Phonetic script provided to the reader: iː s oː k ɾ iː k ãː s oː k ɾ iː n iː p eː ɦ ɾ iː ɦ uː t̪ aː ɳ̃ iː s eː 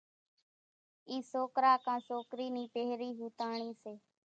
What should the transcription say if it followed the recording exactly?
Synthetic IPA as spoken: iː s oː k ɾ aː k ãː s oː k ɾ iː n iː p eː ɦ ɾ iː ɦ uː t̪ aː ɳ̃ iː s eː